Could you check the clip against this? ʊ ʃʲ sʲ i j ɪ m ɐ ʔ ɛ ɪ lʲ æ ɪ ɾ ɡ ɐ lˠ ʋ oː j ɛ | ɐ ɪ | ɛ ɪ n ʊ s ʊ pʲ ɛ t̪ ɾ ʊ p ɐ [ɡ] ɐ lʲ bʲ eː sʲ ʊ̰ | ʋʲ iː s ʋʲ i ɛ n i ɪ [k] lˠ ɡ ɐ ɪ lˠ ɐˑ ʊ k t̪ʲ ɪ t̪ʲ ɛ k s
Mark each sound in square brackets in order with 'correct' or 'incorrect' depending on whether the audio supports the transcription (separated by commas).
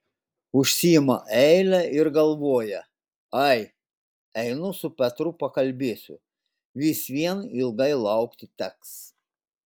incorrect, incorrect